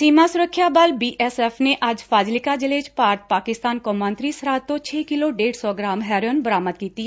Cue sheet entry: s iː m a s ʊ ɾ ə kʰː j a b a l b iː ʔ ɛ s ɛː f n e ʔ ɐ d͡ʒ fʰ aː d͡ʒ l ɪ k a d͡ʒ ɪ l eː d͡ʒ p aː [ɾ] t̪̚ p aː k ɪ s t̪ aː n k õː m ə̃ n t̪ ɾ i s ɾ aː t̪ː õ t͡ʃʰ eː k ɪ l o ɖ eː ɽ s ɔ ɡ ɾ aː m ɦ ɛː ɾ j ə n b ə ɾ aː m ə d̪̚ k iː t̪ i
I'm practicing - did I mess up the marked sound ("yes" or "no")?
no